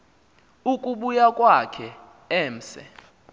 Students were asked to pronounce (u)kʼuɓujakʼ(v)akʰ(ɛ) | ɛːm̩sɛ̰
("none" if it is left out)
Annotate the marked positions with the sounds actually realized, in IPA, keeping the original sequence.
u, w, ɛ

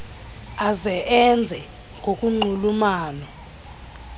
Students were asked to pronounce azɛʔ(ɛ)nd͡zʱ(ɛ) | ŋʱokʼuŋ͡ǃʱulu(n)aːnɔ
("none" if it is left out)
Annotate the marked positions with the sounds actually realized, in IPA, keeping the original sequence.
ɛ, ɛ, m

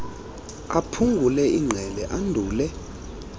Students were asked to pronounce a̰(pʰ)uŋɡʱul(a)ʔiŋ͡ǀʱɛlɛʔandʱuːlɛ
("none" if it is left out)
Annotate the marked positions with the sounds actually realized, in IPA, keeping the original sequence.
pʰ, ɛ

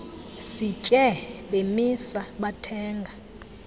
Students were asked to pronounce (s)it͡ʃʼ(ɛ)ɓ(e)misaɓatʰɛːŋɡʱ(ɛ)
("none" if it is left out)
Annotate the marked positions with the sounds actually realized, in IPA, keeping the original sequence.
s, ɛ, e, a

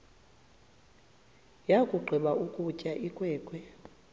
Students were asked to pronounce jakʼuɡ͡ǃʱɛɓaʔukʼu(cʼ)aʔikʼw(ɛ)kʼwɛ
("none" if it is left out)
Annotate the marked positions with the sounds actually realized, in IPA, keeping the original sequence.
cʼ, ɛː

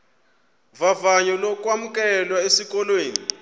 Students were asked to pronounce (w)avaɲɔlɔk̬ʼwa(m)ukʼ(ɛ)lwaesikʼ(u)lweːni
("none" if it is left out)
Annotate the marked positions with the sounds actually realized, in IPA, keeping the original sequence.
v, m, ɛ, ɔ

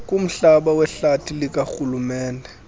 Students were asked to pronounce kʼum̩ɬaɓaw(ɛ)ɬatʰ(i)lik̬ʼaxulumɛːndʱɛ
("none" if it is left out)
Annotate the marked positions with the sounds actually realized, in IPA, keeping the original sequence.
ɛ, i

